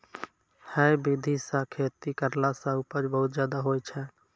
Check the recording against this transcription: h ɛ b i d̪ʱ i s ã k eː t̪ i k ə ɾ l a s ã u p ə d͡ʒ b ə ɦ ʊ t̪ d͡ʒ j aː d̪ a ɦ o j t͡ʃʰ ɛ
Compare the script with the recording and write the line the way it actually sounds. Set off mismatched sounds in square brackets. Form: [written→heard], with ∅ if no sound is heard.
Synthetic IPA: h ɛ b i d̪ʱ i s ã [k→kʰ] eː t̪ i k ə ɾ l a s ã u p ə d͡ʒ b ə ɦ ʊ t̪ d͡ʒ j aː d̪ a ɦ o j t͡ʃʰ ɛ